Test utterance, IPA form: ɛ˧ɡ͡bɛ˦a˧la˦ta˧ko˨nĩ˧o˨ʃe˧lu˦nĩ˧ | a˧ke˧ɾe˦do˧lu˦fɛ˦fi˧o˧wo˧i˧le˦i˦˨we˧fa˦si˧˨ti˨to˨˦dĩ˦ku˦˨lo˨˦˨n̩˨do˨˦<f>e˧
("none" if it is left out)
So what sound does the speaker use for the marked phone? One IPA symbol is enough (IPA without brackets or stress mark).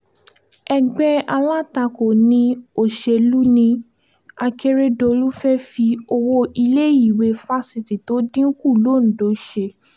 ʃ